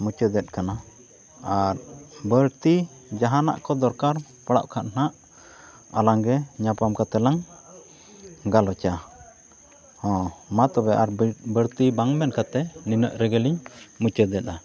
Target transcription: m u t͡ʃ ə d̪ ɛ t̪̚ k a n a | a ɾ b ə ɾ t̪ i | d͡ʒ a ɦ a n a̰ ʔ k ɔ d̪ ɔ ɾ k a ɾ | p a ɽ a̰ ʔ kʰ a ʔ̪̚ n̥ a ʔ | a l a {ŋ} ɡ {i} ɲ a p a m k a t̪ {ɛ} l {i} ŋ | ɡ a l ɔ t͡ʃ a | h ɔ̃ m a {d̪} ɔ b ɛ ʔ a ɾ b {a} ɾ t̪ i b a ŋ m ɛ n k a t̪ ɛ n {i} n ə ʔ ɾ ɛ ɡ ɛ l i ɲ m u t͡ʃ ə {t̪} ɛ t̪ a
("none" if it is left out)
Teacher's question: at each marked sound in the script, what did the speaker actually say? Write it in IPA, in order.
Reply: ŋ, ɛ, ɛ, a, t̪, ə, i, d̪

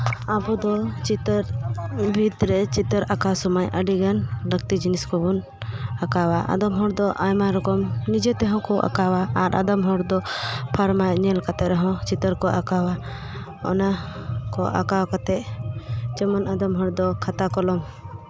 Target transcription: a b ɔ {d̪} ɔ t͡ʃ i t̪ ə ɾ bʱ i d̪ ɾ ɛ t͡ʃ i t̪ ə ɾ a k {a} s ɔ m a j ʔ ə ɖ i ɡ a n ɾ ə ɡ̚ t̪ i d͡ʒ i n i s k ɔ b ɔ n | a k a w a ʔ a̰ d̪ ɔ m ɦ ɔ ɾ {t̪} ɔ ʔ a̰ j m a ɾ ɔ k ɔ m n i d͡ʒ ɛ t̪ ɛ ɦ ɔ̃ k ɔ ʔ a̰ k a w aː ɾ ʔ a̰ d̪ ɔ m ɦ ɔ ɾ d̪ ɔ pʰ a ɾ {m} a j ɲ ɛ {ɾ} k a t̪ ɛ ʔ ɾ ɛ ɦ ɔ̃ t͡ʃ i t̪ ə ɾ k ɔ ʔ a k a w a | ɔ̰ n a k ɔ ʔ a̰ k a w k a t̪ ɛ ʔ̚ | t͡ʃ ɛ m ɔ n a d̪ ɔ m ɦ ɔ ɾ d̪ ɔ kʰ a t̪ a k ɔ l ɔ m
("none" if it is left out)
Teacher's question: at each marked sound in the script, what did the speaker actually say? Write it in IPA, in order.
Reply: d̪, a, d̪, m, l

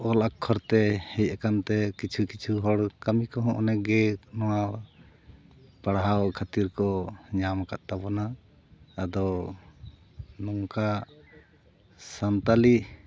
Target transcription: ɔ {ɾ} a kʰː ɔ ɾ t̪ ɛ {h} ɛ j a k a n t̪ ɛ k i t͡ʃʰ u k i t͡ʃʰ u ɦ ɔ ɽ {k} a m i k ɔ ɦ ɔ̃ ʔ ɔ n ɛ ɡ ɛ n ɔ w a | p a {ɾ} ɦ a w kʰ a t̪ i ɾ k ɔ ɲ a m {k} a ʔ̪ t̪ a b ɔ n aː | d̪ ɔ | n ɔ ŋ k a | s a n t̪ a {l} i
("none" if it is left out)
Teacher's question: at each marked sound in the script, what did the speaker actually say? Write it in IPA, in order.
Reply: l, h, k, ɽ, k, l

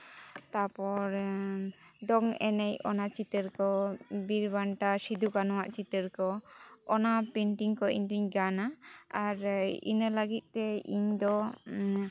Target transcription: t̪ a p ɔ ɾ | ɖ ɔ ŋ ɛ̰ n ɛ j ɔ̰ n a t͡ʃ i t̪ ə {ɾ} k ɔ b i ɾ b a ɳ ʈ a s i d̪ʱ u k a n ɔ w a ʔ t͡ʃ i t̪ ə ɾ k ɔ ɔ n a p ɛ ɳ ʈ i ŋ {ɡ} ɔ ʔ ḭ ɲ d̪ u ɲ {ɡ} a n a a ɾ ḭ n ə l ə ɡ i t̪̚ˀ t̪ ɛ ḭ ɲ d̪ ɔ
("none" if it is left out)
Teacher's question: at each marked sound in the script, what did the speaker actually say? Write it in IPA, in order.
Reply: ɾ, k, ɡ

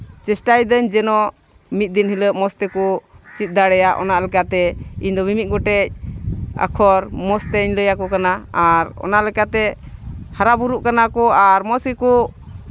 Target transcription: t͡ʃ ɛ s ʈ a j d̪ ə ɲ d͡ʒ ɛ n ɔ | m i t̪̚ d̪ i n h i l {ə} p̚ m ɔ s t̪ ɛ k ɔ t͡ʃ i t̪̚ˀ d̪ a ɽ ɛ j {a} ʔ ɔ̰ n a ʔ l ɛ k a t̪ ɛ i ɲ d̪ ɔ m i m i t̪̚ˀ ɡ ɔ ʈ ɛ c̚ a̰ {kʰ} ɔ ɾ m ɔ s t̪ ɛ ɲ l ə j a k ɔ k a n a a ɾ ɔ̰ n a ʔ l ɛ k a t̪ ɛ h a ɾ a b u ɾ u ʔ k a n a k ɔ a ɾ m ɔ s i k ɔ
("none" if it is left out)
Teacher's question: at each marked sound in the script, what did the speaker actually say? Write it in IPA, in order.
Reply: ə, a, kʰ

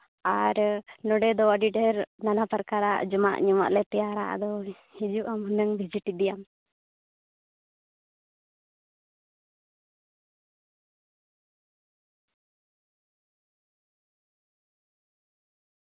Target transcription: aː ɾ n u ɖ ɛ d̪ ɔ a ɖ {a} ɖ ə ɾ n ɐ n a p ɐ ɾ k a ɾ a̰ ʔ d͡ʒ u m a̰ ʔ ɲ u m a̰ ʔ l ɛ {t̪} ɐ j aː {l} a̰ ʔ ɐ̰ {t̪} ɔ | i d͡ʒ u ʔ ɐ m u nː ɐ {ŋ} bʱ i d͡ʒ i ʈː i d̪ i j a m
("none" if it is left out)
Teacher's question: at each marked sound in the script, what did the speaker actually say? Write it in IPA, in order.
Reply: i, t̪, ɾ, d̪, ŋ

